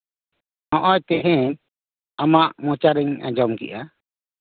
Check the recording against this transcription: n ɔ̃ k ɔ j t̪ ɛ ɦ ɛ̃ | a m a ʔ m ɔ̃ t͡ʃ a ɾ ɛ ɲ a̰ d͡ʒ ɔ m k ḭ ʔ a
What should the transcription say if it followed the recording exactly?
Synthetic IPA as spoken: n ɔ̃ ʔ ɔ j t̪ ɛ ɦ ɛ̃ | a m a ʔ m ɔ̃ t͡ʃ a ɾ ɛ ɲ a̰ d͡ʒ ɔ m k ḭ ʔ a